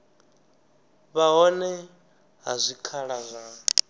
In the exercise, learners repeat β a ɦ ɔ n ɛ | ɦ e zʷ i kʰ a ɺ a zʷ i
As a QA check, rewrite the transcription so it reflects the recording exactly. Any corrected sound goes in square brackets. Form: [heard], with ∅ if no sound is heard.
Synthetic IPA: β a ɦ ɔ n ɛ | ɦ [a] zʷ i kʰ a ɺ a zʷ [a]